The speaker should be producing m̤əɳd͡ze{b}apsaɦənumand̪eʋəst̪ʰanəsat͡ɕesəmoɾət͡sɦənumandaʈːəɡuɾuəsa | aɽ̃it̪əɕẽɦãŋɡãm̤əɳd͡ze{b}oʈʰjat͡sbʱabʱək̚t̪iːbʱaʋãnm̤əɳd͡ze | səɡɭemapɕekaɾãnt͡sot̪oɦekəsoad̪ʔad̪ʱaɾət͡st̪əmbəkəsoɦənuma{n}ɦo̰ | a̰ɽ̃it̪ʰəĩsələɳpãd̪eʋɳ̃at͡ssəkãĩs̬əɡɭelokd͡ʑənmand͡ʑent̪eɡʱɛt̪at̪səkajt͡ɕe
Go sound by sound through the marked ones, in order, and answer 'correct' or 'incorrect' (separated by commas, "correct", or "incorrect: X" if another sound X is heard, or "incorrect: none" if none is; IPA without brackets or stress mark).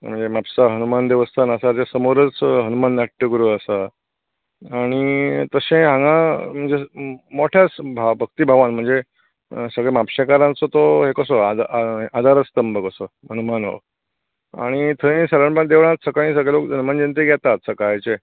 incorrect: m, incorrect: m, correct